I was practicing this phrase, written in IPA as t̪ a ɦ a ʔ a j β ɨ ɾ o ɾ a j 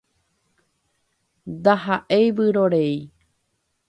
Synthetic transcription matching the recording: d̪ a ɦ a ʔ e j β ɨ ɾ o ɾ e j